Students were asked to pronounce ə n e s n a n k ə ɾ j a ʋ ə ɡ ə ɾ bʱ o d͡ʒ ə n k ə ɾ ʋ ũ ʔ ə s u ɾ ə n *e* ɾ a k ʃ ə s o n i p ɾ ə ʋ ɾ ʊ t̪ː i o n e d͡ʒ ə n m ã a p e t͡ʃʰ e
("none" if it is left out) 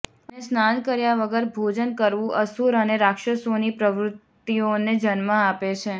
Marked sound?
e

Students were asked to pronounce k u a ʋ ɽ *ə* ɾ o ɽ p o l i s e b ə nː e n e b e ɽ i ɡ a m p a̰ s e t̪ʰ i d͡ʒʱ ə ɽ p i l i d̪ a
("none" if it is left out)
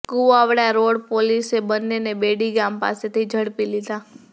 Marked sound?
a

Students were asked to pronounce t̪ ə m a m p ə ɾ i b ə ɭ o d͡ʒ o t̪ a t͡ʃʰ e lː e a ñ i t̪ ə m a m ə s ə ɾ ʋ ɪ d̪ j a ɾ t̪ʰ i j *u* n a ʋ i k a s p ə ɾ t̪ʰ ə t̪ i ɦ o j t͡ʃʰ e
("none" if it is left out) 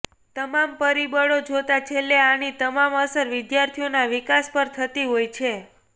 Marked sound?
o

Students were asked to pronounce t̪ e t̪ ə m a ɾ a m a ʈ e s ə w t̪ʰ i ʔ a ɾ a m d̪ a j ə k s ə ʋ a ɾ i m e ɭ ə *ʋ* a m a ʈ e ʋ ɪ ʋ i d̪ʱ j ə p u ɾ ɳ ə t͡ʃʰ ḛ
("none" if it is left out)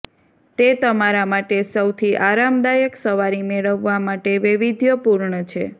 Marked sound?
ʋː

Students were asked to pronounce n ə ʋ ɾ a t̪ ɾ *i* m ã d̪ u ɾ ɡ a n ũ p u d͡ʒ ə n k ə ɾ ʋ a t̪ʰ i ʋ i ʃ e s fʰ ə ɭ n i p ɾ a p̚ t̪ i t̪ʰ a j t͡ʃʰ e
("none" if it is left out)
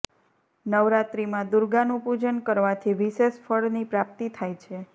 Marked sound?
i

